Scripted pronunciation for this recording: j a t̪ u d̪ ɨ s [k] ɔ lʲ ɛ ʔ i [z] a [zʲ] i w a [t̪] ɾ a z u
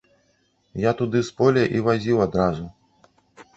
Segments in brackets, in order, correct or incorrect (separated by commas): incorrect, incorrect, correct, incorrect